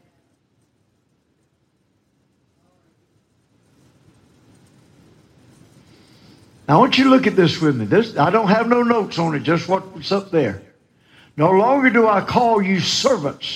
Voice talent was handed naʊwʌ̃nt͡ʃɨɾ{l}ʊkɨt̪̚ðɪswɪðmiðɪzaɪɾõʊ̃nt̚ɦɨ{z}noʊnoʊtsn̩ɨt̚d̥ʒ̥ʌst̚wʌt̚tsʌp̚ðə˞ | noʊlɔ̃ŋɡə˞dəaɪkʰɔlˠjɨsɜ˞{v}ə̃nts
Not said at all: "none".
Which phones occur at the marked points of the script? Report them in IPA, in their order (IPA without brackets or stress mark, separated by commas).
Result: l, v, v